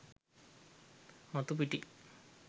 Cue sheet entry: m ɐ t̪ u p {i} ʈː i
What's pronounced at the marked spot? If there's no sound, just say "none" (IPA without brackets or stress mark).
i